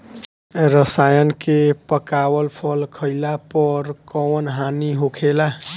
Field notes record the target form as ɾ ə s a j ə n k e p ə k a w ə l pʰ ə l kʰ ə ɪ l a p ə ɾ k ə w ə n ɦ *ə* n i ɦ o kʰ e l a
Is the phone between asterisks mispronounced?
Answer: yes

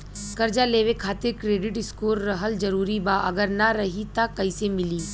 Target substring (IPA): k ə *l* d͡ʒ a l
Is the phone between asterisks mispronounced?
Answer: yes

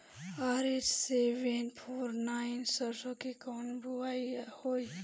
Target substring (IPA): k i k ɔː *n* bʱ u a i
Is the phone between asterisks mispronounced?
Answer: no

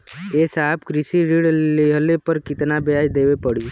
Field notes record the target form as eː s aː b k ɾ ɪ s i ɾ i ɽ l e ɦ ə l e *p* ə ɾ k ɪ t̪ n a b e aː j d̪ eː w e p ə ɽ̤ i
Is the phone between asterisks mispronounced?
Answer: no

